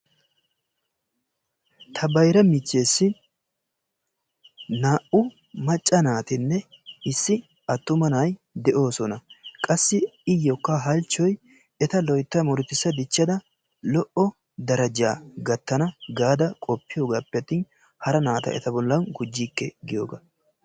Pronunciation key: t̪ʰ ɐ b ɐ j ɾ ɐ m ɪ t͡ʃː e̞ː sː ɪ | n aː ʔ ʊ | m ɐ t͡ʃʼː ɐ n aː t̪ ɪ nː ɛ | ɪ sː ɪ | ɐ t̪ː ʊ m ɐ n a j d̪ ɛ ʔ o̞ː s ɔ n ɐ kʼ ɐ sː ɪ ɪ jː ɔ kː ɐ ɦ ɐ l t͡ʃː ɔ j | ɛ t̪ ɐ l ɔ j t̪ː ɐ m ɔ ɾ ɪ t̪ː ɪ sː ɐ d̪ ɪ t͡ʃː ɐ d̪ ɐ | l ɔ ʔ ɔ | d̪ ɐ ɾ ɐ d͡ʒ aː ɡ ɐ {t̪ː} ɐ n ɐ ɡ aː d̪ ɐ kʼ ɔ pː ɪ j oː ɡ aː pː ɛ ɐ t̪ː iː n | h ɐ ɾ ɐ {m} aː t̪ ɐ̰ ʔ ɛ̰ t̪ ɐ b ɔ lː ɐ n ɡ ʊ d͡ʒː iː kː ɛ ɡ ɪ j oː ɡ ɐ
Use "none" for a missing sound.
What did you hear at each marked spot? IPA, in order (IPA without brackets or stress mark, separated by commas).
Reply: t̪ː, n